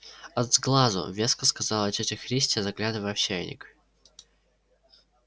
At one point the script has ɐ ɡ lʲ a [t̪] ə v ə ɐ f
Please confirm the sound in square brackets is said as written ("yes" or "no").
no